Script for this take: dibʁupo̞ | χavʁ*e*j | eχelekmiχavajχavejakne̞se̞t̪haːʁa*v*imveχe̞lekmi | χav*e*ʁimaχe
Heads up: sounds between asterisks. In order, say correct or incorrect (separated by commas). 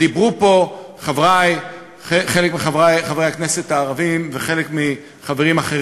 incorrect, correct, correct